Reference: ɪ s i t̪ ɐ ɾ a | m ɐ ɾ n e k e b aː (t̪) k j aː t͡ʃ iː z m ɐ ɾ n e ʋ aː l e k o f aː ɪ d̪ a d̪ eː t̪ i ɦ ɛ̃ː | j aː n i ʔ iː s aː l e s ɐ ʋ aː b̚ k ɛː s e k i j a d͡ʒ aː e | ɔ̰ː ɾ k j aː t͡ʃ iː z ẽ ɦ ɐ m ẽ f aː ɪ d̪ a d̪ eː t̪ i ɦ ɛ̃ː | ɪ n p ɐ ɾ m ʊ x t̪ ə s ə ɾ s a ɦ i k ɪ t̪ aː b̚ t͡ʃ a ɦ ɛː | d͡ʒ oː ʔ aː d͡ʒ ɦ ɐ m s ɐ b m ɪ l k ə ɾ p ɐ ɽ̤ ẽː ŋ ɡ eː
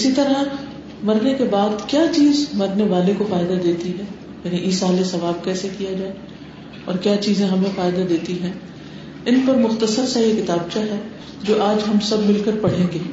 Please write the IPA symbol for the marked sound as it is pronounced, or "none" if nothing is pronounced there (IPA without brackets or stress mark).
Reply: d̪